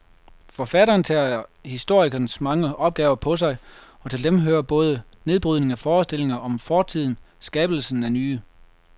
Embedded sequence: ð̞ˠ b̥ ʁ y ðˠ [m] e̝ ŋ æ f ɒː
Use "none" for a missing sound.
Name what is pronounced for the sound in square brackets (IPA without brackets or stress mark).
n